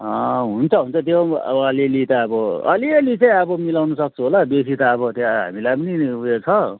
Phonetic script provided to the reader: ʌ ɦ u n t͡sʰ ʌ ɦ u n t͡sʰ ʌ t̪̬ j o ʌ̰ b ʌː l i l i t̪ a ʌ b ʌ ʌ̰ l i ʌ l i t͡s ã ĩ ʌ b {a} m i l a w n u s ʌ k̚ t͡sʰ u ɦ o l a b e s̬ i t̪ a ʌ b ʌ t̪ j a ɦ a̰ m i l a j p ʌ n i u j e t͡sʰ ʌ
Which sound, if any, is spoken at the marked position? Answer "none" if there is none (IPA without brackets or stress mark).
ʌ